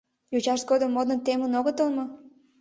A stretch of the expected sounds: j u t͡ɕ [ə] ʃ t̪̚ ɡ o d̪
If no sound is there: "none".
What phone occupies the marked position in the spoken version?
ɑ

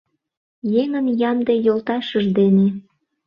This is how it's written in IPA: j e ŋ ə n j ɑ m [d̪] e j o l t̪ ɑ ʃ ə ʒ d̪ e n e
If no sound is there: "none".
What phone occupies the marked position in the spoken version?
d̪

